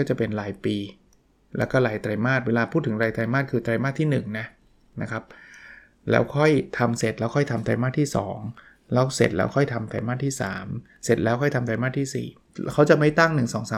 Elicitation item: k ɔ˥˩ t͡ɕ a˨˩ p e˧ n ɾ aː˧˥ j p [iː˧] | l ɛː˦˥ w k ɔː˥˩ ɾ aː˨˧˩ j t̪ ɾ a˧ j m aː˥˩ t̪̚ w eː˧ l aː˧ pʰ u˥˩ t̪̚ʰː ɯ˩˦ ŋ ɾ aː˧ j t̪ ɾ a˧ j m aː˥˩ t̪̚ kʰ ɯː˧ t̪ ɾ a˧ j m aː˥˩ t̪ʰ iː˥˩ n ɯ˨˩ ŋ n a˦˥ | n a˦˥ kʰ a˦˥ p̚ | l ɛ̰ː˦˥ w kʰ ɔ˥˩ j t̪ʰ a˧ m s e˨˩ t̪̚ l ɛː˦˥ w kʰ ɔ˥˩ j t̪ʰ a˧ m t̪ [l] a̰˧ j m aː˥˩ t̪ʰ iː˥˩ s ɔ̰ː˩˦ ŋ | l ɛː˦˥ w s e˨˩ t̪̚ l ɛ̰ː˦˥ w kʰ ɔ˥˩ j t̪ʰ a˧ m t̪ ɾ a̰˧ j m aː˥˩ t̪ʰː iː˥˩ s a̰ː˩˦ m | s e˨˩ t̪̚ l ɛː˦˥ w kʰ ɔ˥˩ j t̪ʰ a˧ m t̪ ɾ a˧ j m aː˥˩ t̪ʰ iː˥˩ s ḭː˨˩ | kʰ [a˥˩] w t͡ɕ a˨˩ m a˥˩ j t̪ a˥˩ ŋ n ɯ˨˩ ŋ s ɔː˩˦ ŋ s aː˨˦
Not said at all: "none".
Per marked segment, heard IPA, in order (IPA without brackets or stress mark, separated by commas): iː˧, ɾ, a˦˥